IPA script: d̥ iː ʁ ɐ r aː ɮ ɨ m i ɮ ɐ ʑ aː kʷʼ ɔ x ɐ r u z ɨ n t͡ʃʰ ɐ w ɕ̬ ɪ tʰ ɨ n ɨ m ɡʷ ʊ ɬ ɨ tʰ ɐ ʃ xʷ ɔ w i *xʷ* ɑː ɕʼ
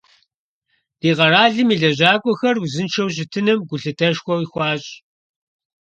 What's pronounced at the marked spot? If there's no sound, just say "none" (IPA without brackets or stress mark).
xʷ